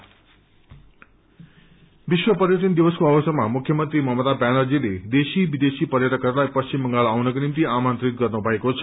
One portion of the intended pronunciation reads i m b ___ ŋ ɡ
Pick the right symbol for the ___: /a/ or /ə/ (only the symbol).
ə